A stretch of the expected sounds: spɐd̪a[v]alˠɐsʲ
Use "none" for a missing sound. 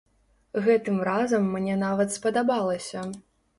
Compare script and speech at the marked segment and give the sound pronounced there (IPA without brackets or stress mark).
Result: b